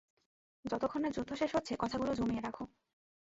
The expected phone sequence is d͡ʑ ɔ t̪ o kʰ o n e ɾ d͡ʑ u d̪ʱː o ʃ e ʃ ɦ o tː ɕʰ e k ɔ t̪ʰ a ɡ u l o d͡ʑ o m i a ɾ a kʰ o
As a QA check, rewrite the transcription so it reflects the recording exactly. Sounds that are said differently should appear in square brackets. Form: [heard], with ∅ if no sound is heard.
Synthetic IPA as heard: d͡ʑ ɔ t̪ o kʰ o n e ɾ d͡ʑ u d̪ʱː o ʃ e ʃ ɦ o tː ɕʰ e k ɔ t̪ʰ a ɡ u l o d͡ʑ o m i [e] ɾ a kʰ o